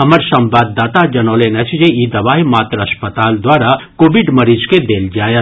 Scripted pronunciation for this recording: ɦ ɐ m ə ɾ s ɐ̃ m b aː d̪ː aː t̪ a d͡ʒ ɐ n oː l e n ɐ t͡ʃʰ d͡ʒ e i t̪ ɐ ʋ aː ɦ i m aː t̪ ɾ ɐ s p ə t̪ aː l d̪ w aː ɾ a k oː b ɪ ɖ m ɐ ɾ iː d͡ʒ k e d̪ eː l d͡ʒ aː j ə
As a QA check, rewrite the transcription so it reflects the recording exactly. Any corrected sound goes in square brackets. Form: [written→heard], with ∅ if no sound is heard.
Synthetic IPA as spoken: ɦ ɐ m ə ɾ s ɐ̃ m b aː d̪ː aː t̪ a d͡ʒ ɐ n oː l e n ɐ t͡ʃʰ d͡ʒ e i [t̪→d̪] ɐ ʋ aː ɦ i m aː t̪ ɾ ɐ s p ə t̪ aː l d̪ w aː ɾ a k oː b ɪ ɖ m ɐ ɾ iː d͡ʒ k e d̪ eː l d͡ʒ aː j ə